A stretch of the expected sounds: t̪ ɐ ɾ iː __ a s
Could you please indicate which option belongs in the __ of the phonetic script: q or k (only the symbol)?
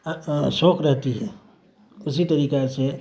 k